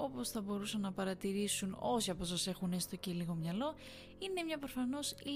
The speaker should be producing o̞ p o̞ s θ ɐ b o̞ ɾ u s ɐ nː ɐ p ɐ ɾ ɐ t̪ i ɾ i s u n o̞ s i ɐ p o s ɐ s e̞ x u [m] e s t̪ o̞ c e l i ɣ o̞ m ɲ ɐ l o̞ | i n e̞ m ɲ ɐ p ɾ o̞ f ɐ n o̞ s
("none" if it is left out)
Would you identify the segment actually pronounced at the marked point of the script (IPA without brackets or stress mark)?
n